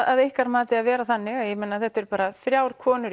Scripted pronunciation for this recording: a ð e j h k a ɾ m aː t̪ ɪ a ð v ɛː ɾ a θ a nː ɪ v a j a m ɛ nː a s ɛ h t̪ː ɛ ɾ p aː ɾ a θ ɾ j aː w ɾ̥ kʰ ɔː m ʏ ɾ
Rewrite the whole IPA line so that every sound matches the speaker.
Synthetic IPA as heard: a ð e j h k a ɾ m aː t̪ ɪ a ð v ɛː ɾ a θ a nː ɪ ɣ a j ɛ m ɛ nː a θ ɛ h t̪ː ɛ ɾ p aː ɾ a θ ɾ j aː w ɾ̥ kʰ ɔː n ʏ ɾ